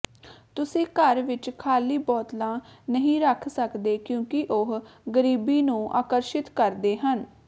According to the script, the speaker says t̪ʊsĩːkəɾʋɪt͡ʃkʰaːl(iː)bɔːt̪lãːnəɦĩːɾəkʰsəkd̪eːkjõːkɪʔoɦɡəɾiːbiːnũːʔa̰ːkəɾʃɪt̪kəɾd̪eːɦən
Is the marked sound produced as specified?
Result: yes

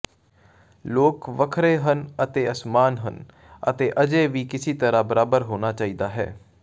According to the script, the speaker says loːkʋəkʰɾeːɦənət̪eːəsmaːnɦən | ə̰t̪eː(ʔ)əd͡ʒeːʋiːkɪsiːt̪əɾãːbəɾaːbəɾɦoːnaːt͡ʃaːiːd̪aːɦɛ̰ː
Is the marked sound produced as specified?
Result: yes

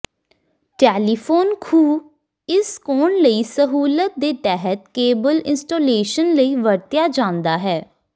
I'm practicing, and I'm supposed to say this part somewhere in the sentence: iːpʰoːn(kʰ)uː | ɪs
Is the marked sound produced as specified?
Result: yes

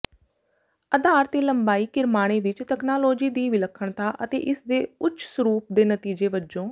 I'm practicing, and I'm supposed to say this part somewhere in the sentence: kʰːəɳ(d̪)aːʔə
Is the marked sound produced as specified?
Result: no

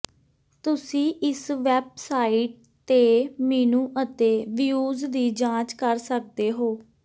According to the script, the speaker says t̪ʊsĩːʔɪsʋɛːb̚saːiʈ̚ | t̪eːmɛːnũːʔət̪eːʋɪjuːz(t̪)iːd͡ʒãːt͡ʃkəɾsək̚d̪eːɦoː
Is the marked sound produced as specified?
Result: no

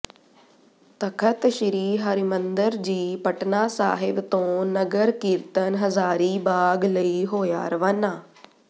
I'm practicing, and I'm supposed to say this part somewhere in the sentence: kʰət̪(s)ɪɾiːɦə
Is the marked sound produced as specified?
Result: no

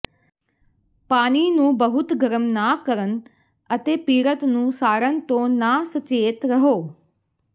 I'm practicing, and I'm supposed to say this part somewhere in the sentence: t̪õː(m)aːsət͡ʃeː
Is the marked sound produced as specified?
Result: no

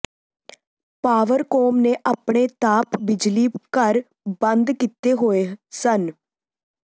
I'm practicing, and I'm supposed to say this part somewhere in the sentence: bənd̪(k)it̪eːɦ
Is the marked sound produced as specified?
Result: yes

